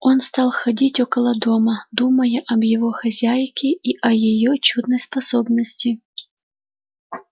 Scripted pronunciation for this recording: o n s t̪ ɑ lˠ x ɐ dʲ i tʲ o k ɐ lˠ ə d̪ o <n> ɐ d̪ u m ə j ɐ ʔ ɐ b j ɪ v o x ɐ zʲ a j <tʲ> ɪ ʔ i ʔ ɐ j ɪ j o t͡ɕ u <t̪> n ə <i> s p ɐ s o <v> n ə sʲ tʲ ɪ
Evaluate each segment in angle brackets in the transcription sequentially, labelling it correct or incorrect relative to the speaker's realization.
incorrect, incorrect, incorrect, incorrect, incorrect

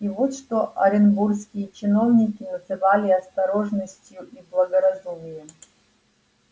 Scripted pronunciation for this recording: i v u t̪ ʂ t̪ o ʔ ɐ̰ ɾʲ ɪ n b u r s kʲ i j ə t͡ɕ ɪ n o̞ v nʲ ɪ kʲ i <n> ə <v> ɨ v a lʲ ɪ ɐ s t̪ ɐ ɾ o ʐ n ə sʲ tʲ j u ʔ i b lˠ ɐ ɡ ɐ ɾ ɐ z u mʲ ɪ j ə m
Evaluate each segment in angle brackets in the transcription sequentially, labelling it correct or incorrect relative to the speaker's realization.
correct, incorrect

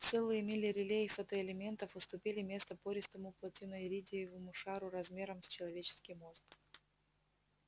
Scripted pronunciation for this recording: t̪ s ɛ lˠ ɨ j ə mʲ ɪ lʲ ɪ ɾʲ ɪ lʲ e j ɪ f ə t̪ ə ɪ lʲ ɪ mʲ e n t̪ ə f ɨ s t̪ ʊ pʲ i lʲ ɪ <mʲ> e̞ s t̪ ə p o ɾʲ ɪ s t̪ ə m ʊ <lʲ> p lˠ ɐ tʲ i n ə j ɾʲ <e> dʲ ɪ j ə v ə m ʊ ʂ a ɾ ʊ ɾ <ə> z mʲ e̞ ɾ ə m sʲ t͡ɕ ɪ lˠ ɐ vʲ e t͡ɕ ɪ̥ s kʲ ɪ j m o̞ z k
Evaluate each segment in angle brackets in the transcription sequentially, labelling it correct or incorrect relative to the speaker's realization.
correct, incorrect, incorrect, incorrect

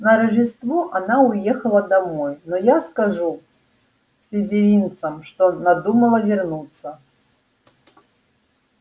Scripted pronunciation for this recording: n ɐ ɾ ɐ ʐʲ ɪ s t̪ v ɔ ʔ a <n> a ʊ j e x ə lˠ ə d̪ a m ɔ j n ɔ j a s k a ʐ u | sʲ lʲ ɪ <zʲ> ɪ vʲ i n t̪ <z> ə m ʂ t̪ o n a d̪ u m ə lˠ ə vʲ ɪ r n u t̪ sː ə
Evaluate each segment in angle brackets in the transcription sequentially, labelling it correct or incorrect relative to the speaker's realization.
correct, correct, incorrect

